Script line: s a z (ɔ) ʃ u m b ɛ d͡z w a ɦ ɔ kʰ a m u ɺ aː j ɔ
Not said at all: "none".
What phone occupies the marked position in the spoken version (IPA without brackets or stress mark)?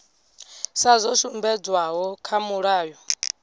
ɔ